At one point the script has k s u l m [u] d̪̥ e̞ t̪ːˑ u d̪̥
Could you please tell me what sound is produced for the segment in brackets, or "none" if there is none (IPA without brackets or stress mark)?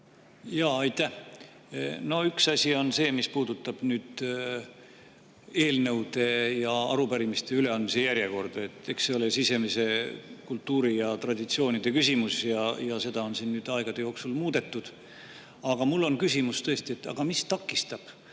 uː